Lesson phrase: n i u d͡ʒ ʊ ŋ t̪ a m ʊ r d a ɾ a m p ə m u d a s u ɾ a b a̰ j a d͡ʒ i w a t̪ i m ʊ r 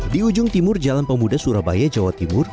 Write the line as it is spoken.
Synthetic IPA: d i u d͡ʒ ʊ ŋ t̪ i m ʊ r d͡ʒ a l a n p ə m u d a s u ɾ a b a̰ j a d͡ʒ a w a t̪ i m ʊ r